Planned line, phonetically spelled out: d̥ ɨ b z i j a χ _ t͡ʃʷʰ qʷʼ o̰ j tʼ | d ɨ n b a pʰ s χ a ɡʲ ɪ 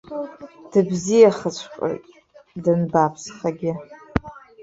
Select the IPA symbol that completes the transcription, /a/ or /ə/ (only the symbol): ə